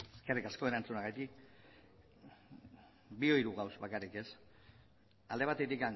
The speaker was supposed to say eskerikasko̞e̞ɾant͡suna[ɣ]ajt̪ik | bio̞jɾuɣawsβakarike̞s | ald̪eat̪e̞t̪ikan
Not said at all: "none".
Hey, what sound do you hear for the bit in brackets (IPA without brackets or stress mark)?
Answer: ɣ